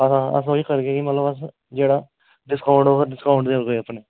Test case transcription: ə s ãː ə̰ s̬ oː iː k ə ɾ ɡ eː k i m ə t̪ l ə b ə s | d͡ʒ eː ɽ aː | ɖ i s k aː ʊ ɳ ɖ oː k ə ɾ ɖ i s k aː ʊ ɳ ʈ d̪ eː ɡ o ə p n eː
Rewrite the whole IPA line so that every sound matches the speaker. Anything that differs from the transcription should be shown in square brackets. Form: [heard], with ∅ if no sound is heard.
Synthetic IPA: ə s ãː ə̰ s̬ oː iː k ə ɾ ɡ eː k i m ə t̪ l ə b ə s | d͡ʒ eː ɽ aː | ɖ [ɪ] s k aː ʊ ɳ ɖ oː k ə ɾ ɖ [ɪ] s k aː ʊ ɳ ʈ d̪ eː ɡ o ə p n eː

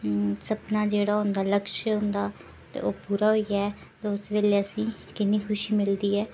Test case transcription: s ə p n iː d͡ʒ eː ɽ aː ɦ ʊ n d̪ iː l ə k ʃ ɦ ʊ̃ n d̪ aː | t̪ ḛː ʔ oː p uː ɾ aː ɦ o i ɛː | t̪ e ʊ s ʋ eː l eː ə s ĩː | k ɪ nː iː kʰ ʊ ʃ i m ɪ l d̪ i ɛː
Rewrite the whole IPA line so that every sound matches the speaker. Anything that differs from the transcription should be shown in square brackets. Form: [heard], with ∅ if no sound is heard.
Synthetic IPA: s ə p n [aː] d͡ʒ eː ɽ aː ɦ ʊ n d̪ [aː] l ə k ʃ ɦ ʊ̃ n d̪ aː | t̪ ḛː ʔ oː p uː ɾ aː ɦ o i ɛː | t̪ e ʊ s ʋ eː l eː ə s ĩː | k ɪ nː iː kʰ ʊ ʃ [iː] m ɪ l d̪ [iː] ɛː

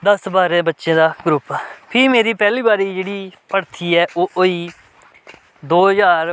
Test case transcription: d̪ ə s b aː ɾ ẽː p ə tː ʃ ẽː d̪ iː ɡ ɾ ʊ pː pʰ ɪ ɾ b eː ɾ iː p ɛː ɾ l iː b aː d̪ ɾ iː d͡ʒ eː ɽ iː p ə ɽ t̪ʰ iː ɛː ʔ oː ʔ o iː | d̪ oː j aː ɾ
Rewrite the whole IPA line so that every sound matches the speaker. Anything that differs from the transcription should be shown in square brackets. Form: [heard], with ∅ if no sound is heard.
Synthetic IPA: d̪ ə s b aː ɾ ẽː [b] ə tː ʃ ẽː d̪ [aː] ɡ ɾ ʊ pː pʰ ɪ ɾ [m] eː ɾ iː p ɛː [∅] l iː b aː [∅] ɾ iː d͡ʒ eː ɽ iː p ə ɽ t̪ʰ iː ɛː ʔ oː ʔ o iː | d̪ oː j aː ɾ

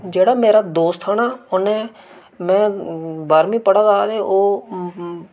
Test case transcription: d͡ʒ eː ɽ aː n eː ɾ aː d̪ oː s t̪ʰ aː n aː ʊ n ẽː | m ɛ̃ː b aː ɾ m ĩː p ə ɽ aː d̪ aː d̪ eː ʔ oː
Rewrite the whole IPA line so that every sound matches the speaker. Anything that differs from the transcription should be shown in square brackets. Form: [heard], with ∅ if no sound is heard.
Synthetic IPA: d͡ʒ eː ɽ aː [m] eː ɾ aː d̪ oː s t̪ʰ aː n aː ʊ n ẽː | m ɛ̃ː b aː ɾ m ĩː p ə ɽ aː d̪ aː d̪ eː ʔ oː

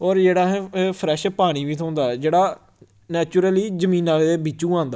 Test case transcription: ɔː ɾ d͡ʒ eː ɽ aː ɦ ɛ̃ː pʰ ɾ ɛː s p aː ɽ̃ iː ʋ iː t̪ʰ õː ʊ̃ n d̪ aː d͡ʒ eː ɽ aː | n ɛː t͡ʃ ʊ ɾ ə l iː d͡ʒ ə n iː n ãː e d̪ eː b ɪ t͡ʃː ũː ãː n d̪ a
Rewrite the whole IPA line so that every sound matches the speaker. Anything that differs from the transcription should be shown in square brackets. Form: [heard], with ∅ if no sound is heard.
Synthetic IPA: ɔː ɾ d͡ʒ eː ɽ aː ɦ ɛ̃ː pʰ ɾ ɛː [ʃ] p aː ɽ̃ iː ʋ iː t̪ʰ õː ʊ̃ n d̪ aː d͡ʒ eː ɽ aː | n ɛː t͡ʃ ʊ ɾ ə l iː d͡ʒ ə [m] iː n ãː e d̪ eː b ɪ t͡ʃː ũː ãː n d̪ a

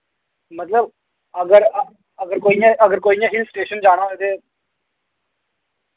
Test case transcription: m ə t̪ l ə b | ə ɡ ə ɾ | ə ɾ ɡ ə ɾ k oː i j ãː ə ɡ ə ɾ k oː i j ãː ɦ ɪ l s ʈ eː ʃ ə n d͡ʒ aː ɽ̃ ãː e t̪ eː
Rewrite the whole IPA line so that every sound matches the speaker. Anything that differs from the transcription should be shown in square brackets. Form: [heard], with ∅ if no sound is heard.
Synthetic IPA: m ə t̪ l ə b | ə ɡ ə ɾ | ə [∅] ɡ ə ɾ k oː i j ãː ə ɡ ə ɾ k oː i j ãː ɦ ɪ l s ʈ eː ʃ ə n d͡ʒ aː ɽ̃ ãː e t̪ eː

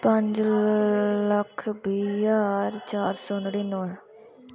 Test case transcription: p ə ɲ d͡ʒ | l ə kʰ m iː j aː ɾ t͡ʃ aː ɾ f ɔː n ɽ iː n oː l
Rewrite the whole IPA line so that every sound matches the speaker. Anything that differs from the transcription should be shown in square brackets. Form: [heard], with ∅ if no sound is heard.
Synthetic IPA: p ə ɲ d͡ʒ | l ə kʰ [b] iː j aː ɾ t͡ʃ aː ɾ [s] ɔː n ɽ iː n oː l

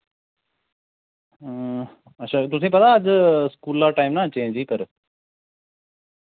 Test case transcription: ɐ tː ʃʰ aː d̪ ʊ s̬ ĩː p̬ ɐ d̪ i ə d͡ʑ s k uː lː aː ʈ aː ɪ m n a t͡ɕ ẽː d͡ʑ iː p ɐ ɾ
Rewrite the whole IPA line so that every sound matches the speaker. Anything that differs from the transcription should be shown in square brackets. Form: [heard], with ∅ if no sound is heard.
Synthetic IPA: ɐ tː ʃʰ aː [t̪] ʊ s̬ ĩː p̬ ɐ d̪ [a] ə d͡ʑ s k uː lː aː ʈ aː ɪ m n a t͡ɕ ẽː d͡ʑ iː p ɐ ɾ

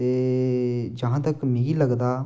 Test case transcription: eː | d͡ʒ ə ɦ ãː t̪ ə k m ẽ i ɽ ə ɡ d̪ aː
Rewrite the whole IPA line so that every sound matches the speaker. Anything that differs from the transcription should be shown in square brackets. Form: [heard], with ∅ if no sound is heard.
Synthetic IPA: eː | d͡ʒ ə ɦ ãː t̪ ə k m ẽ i [l] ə ɡ d̪ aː

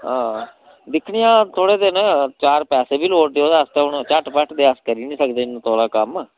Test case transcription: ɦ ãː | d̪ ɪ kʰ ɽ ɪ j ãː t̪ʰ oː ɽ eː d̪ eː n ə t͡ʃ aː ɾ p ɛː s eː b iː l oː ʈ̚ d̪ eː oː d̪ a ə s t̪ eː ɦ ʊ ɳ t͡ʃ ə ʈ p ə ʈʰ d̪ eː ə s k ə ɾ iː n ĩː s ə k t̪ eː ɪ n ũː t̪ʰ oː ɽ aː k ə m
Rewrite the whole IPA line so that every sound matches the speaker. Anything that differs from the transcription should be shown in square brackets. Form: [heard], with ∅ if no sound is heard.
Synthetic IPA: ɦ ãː | d̪ ɪ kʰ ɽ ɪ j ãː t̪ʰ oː ɽ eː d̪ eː n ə t͡ʃ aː ɾ p ɛː s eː b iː l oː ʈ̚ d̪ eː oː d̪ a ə s t̪ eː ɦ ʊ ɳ t͡ʃ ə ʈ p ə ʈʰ d̪ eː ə s k ə ɾ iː n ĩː s ə k [d̪] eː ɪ n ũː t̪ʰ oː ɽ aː k ə m

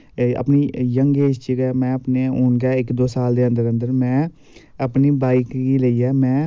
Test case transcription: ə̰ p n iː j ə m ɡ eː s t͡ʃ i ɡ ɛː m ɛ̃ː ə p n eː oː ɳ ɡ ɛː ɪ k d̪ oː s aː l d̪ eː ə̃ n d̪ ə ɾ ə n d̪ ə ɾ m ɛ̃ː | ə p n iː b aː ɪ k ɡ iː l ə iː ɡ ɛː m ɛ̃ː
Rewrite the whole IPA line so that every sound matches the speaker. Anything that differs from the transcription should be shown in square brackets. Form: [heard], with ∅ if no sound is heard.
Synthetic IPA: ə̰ p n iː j ə [ŋ] ɡ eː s t͡ʃ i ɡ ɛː m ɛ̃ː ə p n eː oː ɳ ɡ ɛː ɪ k d̪ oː s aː l d̪ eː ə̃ n d̪ ə ɾ ə n d̪ ə ɾ m ɛ̃ː | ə p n iː b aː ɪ k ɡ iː l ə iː [∅] ɛː m ɛ̃ː

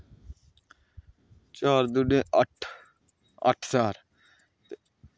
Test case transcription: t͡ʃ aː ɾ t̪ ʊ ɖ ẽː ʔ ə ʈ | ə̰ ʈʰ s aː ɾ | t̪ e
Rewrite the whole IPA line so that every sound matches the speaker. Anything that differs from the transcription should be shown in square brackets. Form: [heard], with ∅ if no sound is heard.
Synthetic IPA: t͡ʃ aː ɾ [d̪] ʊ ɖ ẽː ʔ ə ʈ | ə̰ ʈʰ s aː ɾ | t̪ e

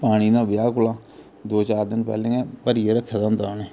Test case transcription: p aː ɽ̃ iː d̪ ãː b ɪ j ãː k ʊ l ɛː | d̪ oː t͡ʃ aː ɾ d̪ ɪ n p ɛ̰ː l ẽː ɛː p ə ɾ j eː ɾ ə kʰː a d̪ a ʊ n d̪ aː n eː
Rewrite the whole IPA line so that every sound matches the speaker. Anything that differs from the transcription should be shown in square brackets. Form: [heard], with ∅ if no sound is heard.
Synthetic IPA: p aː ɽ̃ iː d̪ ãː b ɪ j [aː] k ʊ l [aː] | d̪ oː t͡ʃ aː ɾ d̪ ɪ n p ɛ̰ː l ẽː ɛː p ə ɾ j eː ɾ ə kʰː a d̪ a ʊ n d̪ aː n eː

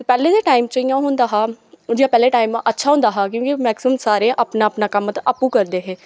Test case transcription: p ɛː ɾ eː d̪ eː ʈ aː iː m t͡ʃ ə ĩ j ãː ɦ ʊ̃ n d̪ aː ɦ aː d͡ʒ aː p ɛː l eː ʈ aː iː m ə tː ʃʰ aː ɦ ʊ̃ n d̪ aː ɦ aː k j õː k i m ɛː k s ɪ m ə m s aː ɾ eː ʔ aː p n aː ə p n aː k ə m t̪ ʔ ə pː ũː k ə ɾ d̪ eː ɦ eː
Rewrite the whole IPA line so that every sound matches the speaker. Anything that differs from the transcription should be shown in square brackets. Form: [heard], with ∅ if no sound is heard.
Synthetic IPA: p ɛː [l] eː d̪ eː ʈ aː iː m t͡ʃ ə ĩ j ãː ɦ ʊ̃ n d̪ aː ɦ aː d͡ʒ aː p ɛː l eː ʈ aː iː m ə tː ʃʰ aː ɦ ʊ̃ n d̪ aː ɦ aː k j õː k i m ɛː k s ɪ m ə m s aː ɾ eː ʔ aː p n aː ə p n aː k ə m t̪ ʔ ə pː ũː k ə ɾ d̪ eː ɦ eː

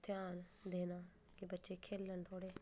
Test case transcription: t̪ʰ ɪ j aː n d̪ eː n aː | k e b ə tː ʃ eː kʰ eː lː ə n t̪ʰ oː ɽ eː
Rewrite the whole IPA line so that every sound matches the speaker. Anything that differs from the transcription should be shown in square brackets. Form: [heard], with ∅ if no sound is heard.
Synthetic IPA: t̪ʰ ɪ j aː n d̪ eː n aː | k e b ə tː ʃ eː kʰ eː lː ə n t̪ʰ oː ɽ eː

